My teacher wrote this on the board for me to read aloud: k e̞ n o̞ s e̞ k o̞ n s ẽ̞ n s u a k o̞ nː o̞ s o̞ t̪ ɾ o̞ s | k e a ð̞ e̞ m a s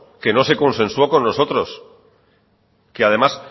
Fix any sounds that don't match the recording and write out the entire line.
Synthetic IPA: k e̞ n o̞ s e̞ k o̞ n s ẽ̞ n s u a k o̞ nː o̞ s o̞ t̪ ɾ o̞ s | k e a ð̞ e̞ m a s